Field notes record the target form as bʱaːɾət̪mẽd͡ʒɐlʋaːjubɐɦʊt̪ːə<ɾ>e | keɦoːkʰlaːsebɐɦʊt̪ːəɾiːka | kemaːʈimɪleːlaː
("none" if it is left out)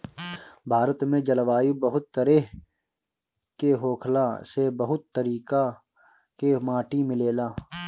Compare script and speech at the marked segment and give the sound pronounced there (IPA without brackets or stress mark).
ɾ